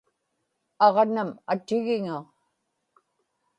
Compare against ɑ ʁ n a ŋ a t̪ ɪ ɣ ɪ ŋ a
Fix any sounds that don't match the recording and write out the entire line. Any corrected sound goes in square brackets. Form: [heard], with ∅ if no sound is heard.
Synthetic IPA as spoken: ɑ ʁ n a [m] a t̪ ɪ ɣ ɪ ŋ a